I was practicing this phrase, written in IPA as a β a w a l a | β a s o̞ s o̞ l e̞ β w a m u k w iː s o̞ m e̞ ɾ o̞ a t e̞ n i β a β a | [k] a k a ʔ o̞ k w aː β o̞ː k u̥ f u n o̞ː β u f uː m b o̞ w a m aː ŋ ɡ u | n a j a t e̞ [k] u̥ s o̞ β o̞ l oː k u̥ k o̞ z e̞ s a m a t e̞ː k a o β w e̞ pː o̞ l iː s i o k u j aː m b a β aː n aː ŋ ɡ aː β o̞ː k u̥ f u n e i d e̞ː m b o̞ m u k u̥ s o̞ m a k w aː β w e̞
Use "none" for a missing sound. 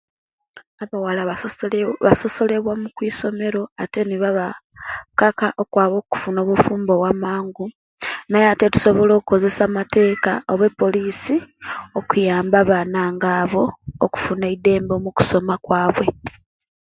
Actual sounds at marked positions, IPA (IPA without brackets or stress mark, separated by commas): k, t